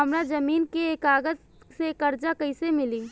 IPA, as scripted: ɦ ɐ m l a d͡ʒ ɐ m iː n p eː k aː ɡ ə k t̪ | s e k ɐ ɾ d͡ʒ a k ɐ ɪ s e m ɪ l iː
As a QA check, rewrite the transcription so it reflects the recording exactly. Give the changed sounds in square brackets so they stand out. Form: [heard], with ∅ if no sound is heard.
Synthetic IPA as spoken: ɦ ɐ m [ɾ] a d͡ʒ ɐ m iː n [k] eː k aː ɡ ə [∅] t̪ | s e k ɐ ɾ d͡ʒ a k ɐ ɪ s e m ɪ l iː

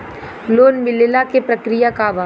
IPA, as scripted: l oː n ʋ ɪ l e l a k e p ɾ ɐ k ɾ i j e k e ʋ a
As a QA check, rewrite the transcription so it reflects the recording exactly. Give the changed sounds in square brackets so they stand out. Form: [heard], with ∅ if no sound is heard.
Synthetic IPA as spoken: l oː n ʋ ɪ l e l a k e p ɾ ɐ k ɾ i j [a] k [a] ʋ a

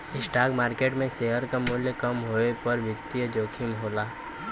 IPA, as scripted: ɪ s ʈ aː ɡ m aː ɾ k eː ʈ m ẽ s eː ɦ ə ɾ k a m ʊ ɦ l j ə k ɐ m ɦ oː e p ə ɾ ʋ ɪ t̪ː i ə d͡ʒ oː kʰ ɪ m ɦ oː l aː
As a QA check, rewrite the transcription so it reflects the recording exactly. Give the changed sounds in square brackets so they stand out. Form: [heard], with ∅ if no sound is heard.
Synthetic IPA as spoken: ɪ s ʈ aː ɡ m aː ɾ k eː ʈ m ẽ s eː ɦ ə ɾ k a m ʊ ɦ l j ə k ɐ m ɦ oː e p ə ɾ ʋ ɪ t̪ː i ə d͡ʒ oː kʰ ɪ m ɦ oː l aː

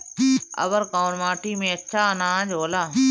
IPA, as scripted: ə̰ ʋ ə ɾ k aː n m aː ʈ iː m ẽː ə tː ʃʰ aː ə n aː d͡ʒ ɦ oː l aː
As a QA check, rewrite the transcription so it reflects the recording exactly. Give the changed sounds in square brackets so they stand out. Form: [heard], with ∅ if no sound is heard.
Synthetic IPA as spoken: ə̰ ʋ ə ɾ k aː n m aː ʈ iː m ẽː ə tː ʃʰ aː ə n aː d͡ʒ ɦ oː l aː

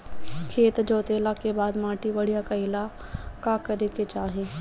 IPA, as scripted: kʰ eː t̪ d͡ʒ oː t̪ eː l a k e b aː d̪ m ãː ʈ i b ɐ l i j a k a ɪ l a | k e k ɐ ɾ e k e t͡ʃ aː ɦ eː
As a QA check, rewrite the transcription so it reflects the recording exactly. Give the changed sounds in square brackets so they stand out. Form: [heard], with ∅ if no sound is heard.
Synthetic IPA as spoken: kʰ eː t̪ d͡ʒ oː t̪ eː l a k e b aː d̪ m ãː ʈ i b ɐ [ɽ] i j a k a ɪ l a | k [a] k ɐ ɾ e k e t͡ʃ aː ɦ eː

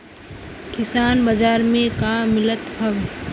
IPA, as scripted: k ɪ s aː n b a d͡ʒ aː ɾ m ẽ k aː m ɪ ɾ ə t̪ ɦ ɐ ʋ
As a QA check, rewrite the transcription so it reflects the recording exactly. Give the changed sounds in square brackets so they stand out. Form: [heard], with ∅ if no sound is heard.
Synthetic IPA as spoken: k ɪ s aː n b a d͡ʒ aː ɾ m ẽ k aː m ɪ [l] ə t̪ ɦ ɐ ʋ

